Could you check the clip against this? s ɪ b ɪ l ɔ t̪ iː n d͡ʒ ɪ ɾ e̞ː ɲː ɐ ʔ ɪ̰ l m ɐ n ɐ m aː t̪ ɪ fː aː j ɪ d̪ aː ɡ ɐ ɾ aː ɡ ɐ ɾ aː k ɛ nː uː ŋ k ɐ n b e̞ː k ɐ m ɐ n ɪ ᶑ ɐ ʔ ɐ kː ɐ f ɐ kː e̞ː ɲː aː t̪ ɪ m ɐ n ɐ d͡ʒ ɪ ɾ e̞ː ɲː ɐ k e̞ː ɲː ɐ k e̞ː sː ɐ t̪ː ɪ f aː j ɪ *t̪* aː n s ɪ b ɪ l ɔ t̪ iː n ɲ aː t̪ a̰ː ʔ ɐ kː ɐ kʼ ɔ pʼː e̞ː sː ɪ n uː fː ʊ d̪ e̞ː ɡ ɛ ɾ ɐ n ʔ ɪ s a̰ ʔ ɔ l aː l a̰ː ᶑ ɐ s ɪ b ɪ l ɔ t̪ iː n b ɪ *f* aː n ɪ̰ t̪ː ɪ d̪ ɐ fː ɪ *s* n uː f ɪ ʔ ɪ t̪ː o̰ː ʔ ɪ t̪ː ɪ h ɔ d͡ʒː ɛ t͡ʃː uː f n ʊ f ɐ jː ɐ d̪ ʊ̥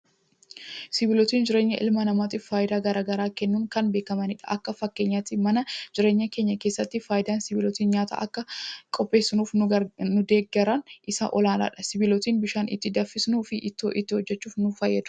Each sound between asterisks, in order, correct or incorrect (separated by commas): incorrect, incorrect, correct